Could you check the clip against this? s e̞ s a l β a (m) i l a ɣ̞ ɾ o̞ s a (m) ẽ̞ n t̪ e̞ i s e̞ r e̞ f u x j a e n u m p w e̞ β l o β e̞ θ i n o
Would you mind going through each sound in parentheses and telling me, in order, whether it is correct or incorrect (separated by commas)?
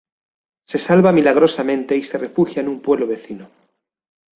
correct, correct